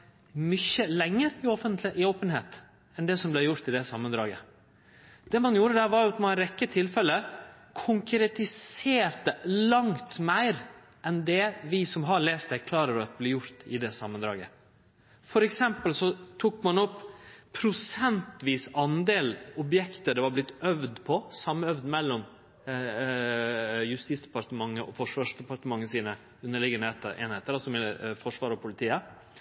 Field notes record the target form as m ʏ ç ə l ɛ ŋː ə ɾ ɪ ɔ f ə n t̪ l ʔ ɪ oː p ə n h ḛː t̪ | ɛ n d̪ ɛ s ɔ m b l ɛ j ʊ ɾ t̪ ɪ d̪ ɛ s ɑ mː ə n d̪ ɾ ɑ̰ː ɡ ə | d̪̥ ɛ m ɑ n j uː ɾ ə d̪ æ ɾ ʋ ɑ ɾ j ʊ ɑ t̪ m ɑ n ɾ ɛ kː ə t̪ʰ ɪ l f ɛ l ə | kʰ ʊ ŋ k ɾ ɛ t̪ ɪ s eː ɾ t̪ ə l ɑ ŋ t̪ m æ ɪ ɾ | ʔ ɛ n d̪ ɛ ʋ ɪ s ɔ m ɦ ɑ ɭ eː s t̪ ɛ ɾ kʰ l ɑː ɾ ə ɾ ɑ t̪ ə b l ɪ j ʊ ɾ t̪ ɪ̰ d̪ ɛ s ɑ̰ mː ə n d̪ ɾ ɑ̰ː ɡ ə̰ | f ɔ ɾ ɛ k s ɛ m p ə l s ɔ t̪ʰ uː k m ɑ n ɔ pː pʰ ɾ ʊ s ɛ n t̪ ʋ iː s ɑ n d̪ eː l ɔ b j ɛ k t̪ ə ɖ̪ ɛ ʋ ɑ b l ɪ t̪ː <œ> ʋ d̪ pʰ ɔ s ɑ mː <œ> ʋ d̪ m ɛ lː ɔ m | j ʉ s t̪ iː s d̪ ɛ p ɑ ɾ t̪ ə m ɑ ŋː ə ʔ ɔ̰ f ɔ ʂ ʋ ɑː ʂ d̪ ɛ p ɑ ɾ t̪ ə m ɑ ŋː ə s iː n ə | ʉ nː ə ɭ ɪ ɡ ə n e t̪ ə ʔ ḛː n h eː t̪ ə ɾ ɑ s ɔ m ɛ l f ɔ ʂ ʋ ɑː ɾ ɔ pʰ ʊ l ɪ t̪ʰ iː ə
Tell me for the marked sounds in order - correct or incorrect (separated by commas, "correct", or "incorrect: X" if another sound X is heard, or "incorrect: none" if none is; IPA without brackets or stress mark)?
correct, correct